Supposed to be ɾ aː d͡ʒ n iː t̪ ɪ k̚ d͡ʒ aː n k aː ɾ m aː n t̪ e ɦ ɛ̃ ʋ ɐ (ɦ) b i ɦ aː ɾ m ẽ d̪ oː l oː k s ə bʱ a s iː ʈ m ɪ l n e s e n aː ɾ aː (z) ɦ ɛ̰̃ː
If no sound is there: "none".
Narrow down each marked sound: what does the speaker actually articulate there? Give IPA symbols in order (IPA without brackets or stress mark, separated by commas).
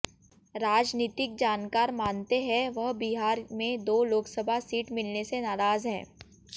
ɦ, z